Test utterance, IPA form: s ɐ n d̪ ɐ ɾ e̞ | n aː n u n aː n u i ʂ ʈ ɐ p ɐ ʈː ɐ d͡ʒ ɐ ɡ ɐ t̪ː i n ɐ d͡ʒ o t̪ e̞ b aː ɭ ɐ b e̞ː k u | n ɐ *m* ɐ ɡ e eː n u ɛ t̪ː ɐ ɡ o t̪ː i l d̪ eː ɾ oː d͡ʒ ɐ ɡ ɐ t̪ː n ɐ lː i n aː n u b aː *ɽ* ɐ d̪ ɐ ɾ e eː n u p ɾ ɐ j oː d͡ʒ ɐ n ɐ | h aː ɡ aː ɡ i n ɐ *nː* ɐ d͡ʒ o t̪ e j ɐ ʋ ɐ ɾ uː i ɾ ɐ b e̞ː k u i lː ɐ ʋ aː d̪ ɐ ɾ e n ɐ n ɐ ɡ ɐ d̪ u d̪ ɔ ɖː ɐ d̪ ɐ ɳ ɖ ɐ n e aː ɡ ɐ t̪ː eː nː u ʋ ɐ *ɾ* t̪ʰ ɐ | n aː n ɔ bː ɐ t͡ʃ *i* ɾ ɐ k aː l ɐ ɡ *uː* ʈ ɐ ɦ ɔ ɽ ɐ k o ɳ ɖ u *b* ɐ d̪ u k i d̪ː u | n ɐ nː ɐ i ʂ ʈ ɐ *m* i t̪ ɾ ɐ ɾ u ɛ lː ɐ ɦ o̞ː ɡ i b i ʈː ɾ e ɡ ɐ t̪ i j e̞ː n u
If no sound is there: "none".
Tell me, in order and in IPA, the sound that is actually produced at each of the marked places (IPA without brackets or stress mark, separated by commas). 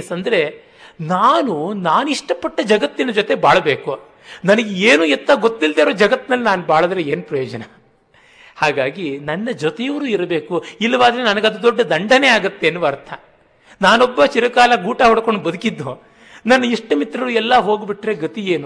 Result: n, ɭ, nː, ɾ, i, uː, b, m